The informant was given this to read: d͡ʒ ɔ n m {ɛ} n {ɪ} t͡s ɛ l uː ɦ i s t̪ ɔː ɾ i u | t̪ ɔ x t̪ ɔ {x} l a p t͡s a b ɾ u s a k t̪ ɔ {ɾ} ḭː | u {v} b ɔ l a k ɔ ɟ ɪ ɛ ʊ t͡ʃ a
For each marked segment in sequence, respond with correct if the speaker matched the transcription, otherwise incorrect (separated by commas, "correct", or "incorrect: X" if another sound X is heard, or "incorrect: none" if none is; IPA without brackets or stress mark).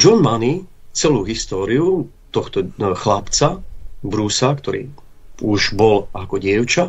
incorrect: a, incorrect: i, correct, correct, incorrect: ʒ